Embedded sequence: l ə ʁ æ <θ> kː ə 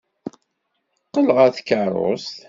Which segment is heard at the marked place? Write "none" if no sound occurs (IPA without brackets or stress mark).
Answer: θ